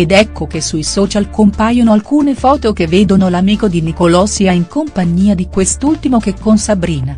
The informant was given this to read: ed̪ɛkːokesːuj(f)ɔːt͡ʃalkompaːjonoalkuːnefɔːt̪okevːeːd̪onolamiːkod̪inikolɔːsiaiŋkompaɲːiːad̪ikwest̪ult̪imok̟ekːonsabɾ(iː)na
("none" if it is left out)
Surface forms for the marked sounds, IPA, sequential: s, iː

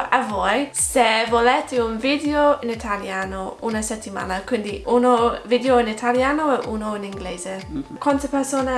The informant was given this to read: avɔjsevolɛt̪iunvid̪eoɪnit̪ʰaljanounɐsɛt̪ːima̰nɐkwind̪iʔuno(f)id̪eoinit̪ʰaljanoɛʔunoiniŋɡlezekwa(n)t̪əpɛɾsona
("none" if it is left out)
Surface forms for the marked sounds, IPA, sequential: v, n

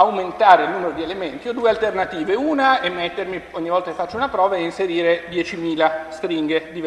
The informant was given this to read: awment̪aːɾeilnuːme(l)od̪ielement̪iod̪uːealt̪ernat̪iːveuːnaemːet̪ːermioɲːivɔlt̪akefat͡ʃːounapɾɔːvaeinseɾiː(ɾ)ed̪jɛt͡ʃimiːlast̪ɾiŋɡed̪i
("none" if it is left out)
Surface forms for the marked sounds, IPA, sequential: ɾ, ɾ

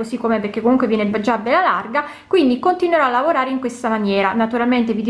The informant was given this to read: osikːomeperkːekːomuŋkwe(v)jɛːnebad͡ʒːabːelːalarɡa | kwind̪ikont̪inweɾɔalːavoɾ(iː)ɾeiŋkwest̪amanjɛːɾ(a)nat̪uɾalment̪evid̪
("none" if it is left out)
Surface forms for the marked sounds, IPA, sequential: v, aː, a

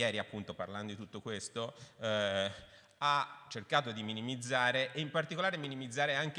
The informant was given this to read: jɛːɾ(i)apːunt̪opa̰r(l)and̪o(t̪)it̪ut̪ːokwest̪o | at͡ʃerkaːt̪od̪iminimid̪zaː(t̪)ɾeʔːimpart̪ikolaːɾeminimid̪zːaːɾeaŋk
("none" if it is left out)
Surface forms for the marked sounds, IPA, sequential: i, l, d̪, none

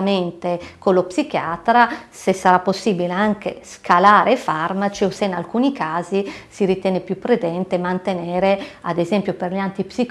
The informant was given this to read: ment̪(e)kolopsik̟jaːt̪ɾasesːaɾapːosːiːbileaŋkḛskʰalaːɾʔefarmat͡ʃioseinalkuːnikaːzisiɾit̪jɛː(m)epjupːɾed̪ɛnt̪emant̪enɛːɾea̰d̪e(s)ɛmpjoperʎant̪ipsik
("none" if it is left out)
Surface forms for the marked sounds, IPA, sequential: e, n, z

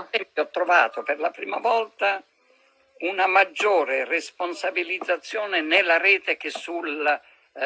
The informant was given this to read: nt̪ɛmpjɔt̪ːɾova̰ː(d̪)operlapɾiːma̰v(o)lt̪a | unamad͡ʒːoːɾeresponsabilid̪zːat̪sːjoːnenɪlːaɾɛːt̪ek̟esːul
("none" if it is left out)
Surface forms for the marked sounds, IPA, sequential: t̪, ɔ

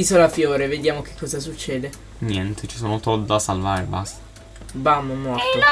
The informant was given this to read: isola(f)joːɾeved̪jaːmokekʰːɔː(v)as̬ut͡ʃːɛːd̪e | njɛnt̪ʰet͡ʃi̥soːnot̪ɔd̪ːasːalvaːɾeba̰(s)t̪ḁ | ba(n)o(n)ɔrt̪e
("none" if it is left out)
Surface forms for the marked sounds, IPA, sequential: f, z, s, m, m

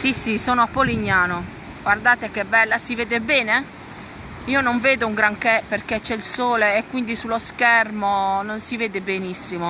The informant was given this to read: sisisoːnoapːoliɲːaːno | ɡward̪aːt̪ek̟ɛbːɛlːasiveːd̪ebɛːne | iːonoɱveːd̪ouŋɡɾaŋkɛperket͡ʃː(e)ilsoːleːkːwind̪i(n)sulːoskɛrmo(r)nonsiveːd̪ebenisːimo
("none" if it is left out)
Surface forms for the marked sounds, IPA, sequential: ɛ, none, none

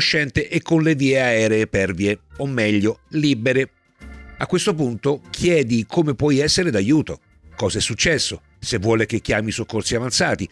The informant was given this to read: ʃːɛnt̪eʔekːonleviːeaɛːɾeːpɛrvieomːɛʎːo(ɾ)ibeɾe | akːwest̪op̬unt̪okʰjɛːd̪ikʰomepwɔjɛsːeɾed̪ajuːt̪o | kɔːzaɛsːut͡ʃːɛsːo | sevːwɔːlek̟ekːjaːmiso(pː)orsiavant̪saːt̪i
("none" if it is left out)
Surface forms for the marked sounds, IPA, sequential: l, kː

